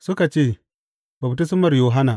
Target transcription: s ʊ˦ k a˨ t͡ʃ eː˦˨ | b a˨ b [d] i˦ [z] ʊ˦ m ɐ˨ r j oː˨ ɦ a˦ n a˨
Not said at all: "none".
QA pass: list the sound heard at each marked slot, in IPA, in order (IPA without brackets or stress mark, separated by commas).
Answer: t, s